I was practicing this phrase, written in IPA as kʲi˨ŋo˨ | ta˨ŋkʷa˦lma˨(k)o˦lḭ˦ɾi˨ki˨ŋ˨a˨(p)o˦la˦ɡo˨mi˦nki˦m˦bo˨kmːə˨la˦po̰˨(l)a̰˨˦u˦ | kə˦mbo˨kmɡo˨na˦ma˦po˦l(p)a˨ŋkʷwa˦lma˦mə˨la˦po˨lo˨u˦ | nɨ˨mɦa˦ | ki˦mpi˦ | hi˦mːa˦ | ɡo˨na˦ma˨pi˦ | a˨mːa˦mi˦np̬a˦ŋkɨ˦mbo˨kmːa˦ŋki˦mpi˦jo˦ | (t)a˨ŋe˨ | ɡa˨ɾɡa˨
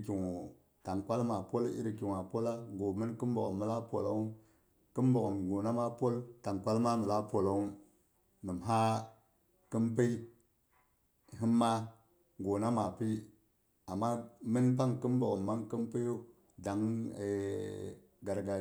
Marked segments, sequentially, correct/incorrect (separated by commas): incorrect, correct, correct, incorrect, incorrect